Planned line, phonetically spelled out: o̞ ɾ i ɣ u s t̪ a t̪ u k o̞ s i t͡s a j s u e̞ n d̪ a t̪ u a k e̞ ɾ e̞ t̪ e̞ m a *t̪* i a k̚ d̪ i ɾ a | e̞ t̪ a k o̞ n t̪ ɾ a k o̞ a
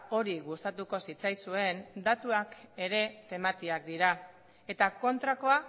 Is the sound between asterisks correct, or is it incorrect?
correct